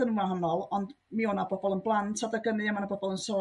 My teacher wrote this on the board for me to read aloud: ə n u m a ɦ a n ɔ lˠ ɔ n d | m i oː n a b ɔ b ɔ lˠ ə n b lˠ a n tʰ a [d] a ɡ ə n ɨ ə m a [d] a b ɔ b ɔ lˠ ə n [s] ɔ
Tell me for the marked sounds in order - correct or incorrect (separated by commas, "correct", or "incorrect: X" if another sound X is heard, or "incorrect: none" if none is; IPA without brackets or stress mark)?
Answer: correct, incorrect: n, correct